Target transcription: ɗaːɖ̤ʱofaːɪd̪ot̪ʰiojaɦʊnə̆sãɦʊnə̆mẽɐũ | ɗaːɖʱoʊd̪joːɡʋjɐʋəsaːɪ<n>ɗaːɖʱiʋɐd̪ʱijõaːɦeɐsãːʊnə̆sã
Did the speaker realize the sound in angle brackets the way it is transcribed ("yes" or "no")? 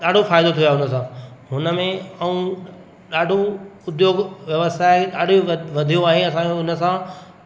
no